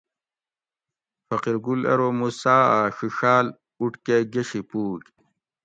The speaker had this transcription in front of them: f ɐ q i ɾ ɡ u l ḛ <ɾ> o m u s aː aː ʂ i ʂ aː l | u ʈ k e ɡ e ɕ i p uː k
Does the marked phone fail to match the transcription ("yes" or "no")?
no